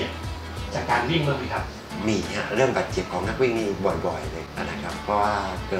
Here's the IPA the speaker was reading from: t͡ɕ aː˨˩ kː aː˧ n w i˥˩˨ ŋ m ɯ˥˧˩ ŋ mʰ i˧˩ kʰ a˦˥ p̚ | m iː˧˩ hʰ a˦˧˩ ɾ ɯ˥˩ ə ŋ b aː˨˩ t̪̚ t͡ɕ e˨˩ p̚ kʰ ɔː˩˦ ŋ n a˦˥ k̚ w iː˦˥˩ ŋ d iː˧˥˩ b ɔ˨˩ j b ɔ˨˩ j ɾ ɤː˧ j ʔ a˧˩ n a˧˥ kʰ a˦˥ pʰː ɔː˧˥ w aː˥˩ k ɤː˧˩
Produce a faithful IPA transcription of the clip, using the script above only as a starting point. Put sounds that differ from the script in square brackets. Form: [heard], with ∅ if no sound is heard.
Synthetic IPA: t͡ɕ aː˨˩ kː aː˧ n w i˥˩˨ ŋ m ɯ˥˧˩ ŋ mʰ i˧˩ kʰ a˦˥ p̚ | m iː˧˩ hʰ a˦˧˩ ɾ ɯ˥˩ ə ŋ b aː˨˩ t̪̚ t͡ɕ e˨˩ p̚ kʰ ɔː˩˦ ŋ n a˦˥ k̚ w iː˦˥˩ ŋ [n] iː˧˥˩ b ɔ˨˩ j b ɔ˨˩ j [l] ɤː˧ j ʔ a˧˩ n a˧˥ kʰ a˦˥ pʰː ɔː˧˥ w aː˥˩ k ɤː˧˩